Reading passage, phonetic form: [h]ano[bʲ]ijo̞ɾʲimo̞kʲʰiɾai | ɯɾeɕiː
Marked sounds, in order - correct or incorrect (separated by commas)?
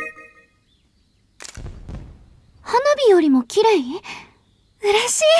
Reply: correct, correct